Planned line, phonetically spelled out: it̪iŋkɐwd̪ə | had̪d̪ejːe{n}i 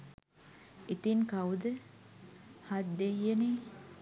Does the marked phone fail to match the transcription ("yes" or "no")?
no